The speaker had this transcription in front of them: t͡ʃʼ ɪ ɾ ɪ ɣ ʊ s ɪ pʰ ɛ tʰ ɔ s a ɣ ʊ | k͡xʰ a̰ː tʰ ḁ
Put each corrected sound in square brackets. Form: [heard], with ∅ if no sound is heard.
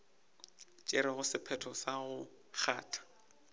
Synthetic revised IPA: t͡ʃʼ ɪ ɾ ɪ ɣ ʊ s ɪ pʰ ɛ tʰ ɔ s a ɣ ʊ | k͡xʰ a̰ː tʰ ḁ